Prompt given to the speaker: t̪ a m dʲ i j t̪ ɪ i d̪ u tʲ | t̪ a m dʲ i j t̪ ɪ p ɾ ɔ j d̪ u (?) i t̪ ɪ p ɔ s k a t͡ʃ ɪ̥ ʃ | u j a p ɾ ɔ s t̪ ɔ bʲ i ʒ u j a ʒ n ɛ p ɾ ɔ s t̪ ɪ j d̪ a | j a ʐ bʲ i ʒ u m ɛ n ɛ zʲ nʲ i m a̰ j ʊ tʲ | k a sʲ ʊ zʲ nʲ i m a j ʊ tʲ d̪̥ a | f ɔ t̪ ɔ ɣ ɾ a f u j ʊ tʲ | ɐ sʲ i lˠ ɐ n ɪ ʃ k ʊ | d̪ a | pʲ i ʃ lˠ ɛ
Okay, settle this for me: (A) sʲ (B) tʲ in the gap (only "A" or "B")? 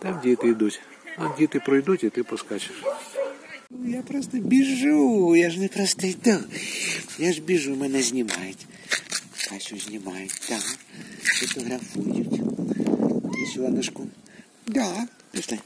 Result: B